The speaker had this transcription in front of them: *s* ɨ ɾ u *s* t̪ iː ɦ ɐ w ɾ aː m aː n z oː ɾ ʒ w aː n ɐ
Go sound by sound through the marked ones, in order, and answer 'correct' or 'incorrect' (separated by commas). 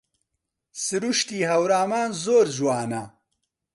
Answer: correct, incorrect